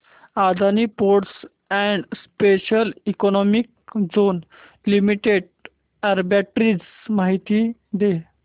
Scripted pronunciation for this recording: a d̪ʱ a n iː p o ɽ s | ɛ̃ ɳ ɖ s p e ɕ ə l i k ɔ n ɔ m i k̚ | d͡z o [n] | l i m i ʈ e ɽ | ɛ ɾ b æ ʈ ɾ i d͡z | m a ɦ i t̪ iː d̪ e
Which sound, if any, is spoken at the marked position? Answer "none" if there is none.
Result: n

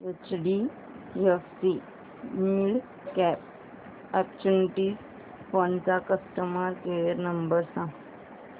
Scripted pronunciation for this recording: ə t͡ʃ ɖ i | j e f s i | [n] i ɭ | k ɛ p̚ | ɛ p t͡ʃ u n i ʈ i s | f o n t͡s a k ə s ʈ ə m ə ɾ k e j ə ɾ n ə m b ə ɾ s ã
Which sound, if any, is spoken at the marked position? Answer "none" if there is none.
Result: m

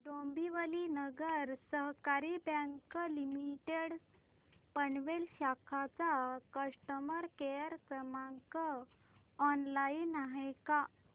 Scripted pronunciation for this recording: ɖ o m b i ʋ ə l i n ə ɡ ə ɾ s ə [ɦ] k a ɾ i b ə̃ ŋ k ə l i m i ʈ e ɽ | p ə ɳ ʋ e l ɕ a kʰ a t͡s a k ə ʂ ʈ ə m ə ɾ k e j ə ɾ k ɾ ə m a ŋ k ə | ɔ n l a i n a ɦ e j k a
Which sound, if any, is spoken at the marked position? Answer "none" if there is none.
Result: ɦ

